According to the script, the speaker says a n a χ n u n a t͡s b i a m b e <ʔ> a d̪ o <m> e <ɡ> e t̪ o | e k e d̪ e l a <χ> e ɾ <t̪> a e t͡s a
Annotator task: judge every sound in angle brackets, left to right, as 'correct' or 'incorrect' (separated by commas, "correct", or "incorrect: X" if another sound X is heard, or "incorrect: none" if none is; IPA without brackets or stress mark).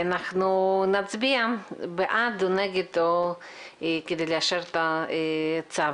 correct, incorrect: n, correct, incorrect: ʃ, correct